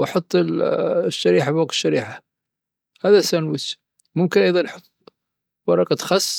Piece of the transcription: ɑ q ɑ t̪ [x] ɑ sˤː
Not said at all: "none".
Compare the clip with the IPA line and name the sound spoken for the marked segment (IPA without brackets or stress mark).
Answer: x